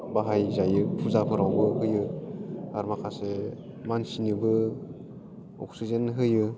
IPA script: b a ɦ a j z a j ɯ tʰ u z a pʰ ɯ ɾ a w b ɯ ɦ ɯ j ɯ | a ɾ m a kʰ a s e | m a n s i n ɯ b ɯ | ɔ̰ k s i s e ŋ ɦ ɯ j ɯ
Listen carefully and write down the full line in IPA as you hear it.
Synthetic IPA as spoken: b a ɦ a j z a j ɯ pʰ u z a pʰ ɯ ɾ a w b ɯ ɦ ɯ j ɯ | a ɾ m a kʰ a s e | m a n s i n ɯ b ɯ | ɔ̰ k s i z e n ɦ ɯ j ɯ